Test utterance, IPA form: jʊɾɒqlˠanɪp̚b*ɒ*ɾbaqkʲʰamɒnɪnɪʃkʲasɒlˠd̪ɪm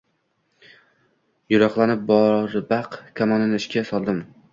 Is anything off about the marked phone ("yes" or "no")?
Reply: no